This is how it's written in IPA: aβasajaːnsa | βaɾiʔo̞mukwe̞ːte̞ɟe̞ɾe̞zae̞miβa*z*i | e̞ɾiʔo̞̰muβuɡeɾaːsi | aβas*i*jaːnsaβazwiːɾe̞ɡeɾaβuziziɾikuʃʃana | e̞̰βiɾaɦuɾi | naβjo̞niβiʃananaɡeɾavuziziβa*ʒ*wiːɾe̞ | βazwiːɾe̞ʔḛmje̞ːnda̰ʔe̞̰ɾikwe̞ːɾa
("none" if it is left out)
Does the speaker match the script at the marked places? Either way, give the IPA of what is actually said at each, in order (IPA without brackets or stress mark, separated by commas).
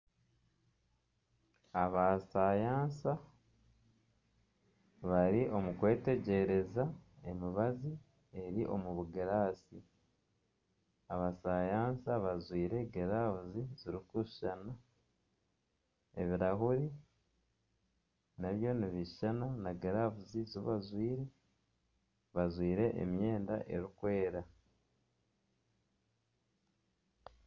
z, a, z